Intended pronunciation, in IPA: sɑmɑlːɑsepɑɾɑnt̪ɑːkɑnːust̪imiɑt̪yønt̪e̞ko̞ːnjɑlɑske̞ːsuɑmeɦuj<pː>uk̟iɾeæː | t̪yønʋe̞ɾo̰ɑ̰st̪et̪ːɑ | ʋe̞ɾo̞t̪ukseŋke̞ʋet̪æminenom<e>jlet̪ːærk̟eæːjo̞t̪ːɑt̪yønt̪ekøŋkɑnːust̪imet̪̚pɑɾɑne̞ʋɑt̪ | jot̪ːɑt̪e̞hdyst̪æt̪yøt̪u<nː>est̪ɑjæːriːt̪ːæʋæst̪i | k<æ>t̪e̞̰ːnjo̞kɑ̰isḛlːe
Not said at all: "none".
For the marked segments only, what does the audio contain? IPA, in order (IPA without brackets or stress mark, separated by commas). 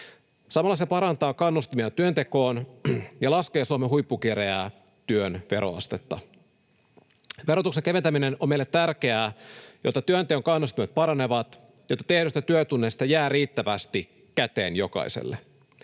pː, e, nː, æ